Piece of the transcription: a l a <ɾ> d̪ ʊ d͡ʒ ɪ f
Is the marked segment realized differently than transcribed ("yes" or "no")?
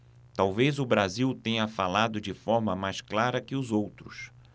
yes